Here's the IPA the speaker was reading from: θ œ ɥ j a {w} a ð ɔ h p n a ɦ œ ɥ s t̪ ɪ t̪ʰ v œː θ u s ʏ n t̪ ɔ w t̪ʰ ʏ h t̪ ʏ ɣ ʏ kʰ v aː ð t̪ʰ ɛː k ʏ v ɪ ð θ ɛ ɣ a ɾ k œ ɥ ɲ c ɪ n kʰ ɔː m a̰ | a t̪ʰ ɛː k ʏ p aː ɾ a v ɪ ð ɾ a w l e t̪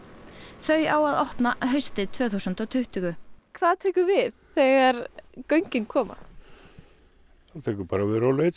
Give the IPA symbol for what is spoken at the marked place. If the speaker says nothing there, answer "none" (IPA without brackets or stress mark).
w